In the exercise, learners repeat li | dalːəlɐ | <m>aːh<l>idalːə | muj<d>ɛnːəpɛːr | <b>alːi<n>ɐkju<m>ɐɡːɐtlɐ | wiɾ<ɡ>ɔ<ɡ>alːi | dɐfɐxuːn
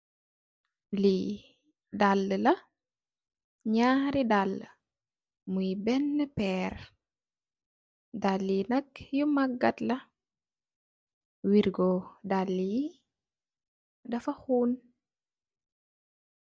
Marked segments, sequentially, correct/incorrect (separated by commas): incorrect, incorrect, incorrect, incorrect, correct, correct, correct, incorrect